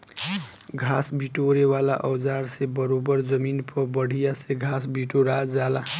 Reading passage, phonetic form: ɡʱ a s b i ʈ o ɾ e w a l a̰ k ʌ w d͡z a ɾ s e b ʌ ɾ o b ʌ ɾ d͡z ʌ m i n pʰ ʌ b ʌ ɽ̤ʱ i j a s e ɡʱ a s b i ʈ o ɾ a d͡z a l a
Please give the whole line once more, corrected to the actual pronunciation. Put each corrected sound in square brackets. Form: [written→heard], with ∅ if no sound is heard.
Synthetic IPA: ɡʱ a s b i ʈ o ɾ e w a l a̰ [k→ʔ] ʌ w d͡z a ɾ s e b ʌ ɾ o b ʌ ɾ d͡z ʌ m i n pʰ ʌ b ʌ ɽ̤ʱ i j a s e ɡʱ a s b i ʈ o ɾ a d͡z a l a